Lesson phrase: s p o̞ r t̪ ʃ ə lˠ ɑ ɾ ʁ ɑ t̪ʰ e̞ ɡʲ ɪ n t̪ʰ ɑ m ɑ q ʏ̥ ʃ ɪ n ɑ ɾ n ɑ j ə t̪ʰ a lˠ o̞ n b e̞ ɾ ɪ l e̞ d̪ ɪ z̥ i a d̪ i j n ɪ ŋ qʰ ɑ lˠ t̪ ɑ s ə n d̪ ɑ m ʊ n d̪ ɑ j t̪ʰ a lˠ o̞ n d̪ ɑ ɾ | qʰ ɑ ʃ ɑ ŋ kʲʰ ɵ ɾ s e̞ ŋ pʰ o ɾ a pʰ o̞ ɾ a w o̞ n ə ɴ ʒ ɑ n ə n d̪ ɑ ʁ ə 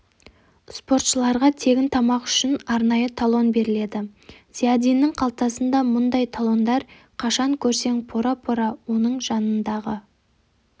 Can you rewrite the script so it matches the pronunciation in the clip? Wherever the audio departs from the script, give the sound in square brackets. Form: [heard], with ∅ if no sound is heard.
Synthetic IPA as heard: s p o̞ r t̪ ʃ ə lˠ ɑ ɾ ʁ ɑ t̪ʰ e̞ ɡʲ ɪ n t̪ʰ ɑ m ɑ q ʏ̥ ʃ ɪ n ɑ ɾ n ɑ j ə t̪ʰ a lˠ o̞ n b e̞ ɾ ɪ l e̞ d̪ ɪ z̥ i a d̪ i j n ɪ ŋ qʰ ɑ lˠ t̪ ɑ s ə n d̪ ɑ m ʊ n d̪ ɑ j t̪ʰ a lˠ o̞ n d̪ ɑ ɾ | qʰ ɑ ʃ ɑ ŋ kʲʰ ɵ ɾ s e̞ ŋ pʰ o ɾ a pʰ o̞ ɾ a w o̞ n ə ɴ ʒ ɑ n ə n d̪ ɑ ʁ ə

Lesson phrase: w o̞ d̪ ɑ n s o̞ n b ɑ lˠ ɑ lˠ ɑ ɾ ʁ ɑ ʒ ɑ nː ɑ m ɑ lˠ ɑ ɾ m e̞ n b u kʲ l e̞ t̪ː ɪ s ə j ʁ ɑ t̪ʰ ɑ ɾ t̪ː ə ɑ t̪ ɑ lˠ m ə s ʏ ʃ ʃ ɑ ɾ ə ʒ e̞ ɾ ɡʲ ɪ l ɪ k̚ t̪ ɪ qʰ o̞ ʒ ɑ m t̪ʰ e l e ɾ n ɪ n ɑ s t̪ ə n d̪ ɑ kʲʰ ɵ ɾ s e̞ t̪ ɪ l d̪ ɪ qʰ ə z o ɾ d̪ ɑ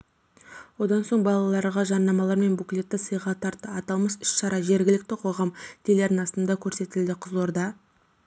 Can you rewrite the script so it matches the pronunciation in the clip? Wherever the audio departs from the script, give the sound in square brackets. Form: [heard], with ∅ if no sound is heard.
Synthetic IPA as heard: w o̞ d̪ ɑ n s o̞ [ɴ] b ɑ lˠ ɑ lˠ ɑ ɾ ʁ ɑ ʒ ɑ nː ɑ m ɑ lˠ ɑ ɾ m e̞ n b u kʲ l e̞ t̪ː ɪ s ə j ʁ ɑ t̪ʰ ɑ ɾ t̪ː ə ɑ t̪ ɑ lˠ m ə s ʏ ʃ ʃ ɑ ɾ [ɑ] ʒ e̞ ɾ ɡʲ ɪ l ɪ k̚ t̪ ɪ qʰ o̞ [ʁ] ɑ m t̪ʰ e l e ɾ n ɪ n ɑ s t̪ ə n d̪ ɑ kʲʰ ɵ ɾ s e̞ t̪ ɪ l d̪ ɪ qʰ ə z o ɾ d̪ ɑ

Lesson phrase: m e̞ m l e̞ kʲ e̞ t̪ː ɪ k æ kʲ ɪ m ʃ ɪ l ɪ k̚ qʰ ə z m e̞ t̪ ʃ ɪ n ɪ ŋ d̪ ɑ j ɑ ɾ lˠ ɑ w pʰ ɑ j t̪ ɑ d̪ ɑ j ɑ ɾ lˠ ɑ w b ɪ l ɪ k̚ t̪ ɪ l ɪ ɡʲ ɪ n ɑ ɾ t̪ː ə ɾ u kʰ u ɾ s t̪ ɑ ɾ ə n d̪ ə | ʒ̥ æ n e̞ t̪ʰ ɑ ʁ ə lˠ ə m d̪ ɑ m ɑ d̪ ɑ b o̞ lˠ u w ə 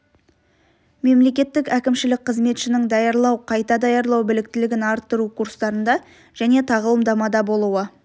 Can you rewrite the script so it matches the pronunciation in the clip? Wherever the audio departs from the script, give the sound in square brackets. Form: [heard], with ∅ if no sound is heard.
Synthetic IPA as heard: m e̞ m l e̞ kʲ e̞ t̪ː ɪ k æ kʲ ɪ m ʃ ɪ l ɪ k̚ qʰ ə z m e̞ t̪ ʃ ɪ n ɪ ŋ d̪ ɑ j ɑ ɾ lˠ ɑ w [qʰ] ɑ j t̪ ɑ d̪ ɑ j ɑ ɾ lˠ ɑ w b ɪ l ɪ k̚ t̪ ɪ l ɪ ɡʲ ɪ n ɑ ɾ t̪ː ə ɾ u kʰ u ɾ s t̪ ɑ ɾ ə n d̪ [ɑ] | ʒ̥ æ n e̞ t̪ʰ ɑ ʁ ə lˠ ə m d̪ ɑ m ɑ d̪ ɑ b o̞ lˠ u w ə

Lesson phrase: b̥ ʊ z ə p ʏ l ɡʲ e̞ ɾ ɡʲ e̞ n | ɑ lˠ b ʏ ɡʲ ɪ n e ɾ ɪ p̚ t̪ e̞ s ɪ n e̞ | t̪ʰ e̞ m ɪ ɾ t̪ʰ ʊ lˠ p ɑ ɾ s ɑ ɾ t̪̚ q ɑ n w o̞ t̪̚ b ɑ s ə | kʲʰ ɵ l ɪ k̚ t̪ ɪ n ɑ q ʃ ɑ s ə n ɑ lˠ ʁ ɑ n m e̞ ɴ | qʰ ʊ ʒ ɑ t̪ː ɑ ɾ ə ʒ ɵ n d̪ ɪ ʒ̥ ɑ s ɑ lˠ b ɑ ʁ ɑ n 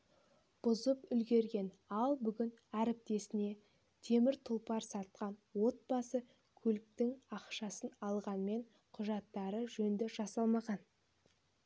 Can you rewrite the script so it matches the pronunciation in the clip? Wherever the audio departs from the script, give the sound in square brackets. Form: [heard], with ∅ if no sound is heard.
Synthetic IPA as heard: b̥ ʊ z ə p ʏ l ɡʲ e̞ ɾ ɡʲ e̞ n | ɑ lˠ b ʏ ɡʲ ɪ n [æ] ɾ ɪ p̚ t̪ e̞ s ɪ n e̞ | t̪ʰ e̞ m ɪ ɾ t̪ʰ ʊ lˠ p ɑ ɾ s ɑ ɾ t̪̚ q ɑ n w o̞ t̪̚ b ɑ s ə | kʲʰ ɵ l ɪ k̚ t̪ ɪ [ŋ] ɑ q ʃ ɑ s ə n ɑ lˠ ʁ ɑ n m e̞ ɴ | qʰ ʊ ʒ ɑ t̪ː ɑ ɾ ə ʒ ɵ n d̪ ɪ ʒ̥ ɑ s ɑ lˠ [m] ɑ ʁ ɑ n

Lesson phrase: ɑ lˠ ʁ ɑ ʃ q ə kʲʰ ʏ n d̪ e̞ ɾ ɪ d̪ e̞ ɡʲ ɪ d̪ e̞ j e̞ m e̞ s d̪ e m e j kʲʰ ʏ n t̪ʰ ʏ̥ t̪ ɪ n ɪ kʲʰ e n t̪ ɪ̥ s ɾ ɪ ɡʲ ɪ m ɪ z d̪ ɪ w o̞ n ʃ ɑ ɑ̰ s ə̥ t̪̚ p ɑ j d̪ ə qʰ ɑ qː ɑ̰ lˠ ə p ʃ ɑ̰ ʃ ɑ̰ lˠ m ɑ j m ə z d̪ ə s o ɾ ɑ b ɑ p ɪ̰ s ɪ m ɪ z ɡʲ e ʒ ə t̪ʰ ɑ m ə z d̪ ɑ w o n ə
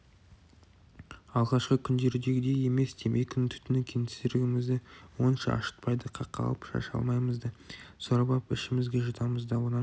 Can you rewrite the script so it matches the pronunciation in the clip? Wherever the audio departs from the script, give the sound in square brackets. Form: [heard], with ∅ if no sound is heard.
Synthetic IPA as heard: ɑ lˠ ʁ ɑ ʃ q ə kʲʰ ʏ n d̪ e̞ ɾ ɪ d̪ e̞ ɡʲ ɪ d̪ e̞ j e̞ m e̞ s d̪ e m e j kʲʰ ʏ n t̪ʰ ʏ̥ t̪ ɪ n ɪ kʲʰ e n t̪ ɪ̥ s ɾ ɪ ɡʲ ɪ m ɪ z d̪ ɪ w o̞ n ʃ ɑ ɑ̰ [ʃ] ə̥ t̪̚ p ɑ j d̪ ə qʰ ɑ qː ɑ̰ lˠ ə p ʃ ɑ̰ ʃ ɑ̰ lˠ m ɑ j m ə z d̪ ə s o ɾ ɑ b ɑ p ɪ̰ [ʃ] ɪ m ɪ z ɡʲ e ʒ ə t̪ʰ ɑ m ə z d̪ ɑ w o n [ɑ]

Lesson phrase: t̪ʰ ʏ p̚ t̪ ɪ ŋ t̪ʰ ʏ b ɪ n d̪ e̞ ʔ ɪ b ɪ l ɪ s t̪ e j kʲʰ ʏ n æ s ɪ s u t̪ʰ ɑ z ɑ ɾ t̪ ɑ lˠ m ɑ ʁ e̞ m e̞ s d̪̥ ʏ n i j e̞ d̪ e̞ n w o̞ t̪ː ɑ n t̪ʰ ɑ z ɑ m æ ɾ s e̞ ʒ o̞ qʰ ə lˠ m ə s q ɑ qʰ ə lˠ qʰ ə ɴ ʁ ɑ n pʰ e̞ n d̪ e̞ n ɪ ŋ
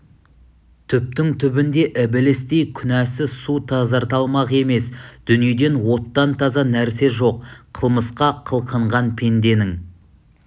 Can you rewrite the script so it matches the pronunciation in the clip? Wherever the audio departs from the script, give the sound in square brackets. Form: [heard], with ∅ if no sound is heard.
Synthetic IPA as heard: t̪ʰ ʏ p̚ t̪ ɪ ŋ t̪ʰ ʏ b ɪ n d̪ e̞ ʔ ɪ b ɪ l ɪ s t̪ e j kʲʰ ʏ n æ s ɪ s u t̪ʰ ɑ z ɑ ɾ t̪ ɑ lˠ m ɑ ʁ e̞ m e̞ s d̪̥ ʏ n i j e̞ d̪ e̞ n w o̞ t̪ː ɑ n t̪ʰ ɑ z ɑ [n] æ ɾ s e̞ ʒ o̞ qʰ ə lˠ m ə s q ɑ qʰ ə lˠ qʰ ə ɴ ʁ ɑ n pʰ e̞ n d̪ e̞ n ɪ ŋ

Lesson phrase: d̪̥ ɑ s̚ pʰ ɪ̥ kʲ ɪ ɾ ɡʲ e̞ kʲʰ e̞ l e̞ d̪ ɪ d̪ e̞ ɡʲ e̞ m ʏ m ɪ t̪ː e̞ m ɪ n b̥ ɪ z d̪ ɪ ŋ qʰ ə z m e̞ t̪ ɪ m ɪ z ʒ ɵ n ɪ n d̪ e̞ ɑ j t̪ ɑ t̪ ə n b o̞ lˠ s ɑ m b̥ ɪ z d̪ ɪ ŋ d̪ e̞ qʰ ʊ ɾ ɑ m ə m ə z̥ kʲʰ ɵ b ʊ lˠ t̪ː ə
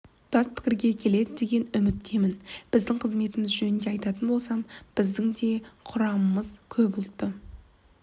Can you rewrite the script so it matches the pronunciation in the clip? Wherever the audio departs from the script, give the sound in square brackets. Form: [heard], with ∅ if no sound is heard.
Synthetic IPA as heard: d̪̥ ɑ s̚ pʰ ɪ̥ kʲ ɪ ɾ ɡʲ e̞ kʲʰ e̞ l e̞ d̪ ɪ d̪ e̞ ɡʲ e̞ [n] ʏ m ɪ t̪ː e̞ m ɪ n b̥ ɪ z d̪ ɪ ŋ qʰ ə z m e̞ t̪ ɪ m ɪ z ʒ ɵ n ɪ n d̪ e̞ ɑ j t̪ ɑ t̪ ə n b o̞ lˠ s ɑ m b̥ ɪ z d̪ ɪ ŋ d̪ e̞ qʰ ʊ ɾ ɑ m ə m ə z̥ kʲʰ ɵ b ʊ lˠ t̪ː ə

